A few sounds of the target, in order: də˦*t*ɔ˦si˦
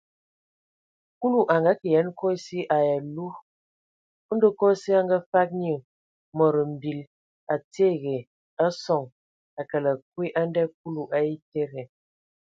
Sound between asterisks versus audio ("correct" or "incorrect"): incorrect